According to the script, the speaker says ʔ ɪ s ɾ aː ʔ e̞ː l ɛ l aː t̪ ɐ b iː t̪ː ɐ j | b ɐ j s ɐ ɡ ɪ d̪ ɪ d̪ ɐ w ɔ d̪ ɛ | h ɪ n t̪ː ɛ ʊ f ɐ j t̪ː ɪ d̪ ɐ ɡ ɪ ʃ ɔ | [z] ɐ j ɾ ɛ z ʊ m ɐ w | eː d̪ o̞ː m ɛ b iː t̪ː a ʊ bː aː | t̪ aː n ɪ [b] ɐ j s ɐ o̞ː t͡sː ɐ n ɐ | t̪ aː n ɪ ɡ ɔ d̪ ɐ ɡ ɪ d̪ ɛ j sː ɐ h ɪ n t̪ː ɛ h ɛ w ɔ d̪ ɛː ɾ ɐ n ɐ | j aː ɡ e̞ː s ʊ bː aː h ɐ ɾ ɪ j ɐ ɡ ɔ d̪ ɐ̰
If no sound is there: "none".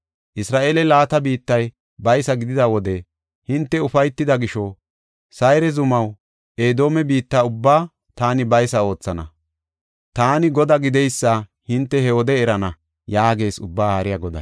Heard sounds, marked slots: s, b

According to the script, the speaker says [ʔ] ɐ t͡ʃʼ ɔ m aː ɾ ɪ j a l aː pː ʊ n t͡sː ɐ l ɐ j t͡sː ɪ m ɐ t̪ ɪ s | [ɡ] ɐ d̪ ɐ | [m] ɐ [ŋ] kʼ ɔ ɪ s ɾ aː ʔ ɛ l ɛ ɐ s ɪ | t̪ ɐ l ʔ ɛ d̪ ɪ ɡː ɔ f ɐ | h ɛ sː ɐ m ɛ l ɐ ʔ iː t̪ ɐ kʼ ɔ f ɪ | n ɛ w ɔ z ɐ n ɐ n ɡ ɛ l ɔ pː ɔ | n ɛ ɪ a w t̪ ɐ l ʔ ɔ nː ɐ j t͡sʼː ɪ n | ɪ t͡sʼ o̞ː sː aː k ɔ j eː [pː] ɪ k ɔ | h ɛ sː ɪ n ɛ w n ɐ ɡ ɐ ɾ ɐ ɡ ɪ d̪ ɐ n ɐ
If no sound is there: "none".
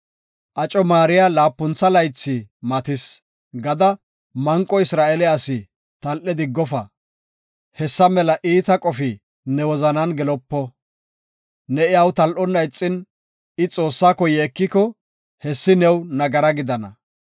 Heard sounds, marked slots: ʔ, ɡ, m, ŋ, kː

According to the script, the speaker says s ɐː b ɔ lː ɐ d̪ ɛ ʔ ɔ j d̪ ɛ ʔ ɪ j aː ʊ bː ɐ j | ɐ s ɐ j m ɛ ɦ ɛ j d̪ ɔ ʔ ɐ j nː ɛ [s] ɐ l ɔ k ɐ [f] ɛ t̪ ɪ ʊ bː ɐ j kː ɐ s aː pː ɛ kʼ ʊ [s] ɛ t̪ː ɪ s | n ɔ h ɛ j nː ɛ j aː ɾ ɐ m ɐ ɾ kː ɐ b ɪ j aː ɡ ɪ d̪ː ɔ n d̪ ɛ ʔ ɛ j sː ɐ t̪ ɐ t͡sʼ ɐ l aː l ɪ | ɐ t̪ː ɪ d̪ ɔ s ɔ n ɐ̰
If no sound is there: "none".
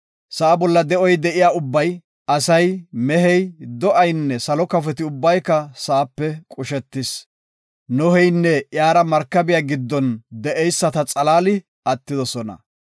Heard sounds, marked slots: s, f, ʃ

